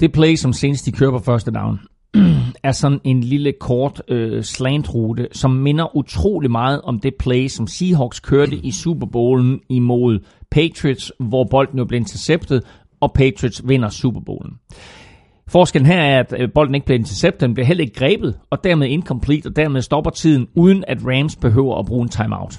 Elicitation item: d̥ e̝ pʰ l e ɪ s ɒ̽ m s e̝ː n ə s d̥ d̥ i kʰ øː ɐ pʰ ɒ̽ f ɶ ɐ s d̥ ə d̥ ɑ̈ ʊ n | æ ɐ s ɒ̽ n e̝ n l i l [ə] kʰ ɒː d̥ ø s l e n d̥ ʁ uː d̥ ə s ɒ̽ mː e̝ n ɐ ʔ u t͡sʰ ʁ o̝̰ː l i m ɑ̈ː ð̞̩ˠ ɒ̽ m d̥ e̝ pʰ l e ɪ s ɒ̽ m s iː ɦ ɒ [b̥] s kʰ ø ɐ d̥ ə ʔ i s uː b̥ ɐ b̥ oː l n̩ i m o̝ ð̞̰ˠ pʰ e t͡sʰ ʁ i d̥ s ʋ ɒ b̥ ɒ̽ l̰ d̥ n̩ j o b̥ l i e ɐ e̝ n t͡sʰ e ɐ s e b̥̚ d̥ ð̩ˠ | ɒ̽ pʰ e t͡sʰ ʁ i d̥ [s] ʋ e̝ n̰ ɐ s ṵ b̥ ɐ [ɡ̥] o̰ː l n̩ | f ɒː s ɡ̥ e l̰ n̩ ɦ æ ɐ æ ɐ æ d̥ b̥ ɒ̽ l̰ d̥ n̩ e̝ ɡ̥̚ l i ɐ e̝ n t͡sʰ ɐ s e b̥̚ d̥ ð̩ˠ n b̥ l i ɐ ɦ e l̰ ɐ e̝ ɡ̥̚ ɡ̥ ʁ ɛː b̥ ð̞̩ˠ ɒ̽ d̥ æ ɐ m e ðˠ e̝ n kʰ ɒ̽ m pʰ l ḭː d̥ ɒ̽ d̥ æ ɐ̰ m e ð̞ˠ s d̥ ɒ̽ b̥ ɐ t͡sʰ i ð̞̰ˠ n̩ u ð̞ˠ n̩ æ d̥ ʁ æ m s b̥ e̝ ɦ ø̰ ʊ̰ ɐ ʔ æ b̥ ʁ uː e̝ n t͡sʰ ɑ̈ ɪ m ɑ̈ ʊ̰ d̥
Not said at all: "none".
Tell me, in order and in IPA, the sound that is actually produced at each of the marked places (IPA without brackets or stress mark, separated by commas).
ə, ɡ̥, s, b̥